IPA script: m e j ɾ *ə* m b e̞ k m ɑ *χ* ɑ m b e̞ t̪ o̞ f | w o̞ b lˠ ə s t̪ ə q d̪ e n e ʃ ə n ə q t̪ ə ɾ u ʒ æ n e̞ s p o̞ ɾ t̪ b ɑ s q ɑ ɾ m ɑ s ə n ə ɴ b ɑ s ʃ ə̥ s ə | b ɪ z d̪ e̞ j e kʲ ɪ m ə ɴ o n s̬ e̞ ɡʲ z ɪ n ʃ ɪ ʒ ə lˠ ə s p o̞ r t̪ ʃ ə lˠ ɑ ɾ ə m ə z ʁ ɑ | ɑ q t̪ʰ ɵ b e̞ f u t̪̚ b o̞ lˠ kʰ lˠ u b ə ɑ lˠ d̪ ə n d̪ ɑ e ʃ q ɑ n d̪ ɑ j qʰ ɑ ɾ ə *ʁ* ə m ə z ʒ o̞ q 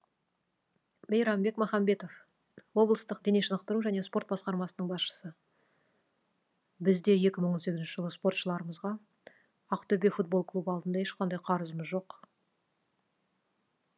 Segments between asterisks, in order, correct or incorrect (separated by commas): incorrect, correct, incorrect